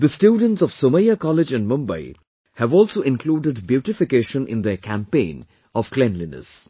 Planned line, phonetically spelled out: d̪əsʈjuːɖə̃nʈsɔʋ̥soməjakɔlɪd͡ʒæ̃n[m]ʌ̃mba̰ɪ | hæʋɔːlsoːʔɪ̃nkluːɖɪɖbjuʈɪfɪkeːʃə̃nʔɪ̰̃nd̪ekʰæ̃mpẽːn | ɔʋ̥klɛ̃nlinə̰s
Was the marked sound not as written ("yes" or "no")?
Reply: no